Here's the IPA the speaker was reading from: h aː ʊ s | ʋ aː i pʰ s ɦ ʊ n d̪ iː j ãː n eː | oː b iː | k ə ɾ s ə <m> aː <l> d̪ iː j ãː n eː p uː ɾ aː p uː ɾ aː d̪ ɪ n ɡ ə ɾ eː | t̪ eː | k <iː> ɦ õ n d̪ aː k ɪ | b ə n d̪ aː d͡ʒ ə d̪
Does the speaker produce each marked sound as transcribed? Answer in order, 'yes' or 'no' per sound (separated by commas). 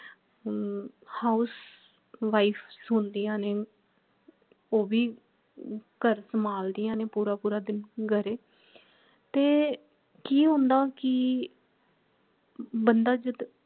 yes, yes, yes